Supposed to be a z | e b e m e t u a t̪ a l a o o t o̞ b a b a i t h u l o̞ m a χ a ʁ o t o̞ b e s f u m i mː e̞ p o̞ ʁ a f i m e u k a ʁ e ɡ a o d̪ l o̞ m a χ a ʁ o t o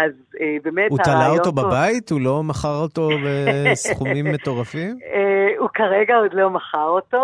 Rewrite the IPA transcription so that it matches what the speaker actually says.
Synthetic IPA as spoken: a z | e b e m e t u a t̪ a l a o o t o̞ b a b a i t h u l o̞ m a χ a ʁ o t o̞ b e s χ u m i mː e̞ t o̞ ʁ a f i m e u k a ʁ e ɡ a o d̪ l o̞ m a χ a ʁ o t o